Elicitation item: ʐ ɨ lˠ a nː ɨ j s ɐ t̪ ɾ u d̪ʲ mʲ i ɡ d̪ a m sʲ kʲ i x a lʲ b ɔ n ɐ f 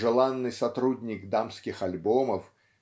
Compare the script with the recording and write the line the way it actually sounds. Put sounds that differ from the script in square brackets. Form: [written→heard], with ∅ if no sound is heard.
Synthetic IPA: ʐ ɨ lˠ a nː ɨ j s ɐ t̪ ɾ u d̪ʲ [mʲ→nʲ] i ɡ d̪ a m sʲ kʲ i x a lʲ b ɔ [n→m] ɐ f